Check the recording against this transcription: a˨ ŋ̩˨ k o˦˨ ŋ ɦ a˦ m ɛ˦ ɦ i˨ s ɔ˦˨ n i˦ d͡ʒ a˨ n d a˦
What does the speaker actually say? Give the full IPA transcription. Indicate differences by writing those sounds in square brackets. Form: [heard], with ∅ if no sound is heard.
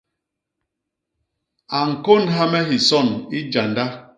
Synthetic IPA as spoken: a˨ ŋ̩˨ k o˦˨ [n] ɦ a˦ m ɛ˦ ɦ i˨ s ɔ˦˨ n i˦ d͡ʒ a˨ n d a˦